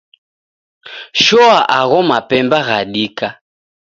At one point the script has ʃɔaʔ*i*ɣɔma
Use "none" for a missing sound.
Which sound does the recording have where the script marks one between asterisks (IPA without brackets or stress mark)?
a